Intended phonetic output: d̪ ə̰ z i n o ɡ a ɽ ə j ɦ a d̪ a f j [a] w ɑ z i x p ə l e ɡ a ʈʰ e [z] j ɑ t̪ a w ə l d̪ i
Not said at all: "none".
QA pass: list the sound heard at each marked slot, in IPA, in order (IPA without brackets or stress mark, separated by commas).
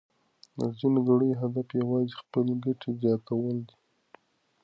a, z